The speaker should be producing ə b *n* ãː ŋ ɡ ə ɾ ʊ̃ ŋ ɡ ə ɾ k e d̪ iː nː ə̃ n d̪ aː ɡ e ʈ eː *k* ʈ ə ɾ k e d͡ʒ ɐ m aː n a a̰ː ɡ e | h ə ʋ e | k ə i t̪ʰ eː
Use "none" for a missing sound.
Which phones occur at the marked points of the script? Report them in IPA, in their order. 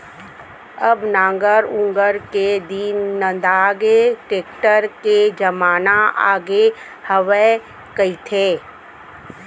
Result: n, k

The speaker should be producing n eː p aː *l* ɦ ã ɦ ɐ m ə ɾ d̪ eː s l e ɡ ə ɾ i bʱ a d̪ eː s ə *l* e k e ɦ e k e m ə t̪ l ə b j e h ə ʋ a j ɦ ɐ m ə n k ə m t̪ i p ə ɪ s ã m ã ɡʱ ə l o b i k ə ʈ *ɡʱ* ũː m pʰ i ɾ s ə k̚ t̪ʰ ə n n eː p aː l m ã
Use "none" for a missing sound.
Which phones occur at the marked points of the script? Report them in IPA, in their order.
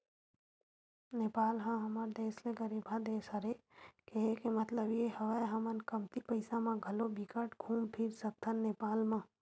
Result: l, ɾ, ɡʱ

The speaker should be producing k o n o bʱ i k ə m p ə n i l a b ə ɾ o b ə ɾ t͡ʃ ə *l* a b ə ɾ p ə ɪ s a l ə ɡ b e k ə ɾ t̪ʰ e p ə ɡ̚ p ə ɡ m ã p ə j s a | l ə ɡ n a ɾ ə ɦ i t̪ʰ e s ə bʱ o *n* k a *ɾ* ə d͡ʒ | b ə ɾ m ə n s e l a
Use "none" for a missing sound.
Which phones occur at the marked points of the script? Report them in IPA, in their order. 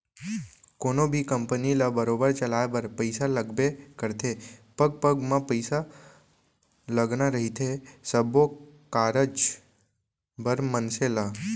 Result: l, none, ɾ

